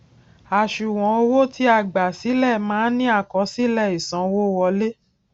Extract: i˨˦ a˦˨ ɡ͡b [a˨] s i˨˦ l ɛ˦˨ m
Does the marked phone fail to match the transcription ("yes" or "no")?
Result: no